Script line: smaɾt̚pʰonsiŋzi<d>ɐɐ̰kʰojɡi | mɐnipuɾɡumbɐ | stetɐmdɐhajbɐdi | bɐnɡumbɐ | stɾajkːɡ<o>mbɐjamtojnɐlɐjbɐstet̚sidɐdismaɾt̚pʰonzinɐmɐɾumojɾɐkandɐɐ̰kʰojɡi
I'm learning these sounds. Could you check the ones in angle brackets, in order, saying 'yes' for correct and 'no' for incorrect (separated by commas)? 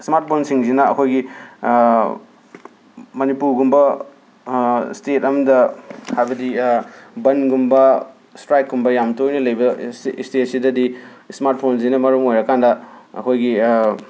no, no